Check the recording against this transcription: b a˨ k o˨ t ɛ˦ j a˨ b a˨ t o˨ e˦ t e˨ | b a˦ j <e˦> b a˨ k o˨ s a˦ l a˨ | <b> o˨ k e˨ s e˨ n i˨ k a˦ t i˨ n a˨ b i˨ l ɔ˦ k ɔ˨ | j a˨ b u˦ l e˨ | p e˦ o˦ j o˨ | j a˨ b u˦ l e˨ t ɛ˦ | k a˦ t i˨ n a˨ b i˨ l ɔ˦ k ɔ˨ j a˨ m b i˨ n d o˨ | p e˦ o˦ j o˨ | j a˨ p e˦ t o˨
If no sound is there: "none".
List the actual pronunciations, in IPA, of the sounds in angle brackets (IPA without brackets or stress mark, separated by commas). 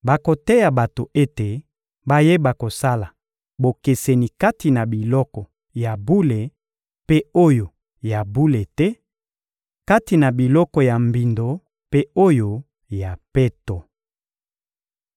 e˦, b